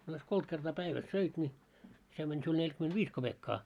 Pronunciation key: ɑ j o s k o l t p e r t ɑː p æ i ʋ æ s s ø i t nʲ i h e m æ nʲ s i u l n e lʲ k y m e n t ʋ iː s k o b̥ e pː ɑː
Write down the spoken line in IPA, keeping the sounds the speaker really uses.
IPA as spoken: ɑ j o s k o l t k e r t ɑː p æ i ʋ æ s s ø i t nʲ i s e m æ nʲ s i u l n e lʲ k y m e n t ʋ iː s k o b̥ e kː ɑː